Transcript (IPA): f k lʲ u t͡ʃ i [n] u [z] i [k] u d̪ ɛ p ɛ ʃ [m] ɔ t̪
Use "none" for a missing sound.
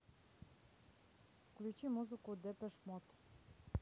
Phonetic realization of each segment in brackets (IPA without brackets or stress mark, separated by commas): m, z, k, m